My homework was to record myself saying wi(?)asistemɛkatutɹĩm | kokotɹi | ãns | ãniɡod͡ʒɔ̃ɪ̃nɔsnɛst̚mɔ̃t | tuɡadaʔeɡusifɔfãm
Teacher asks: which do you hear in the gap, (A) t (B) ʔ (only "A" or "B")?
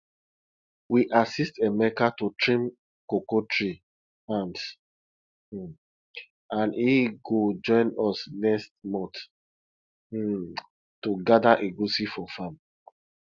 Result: B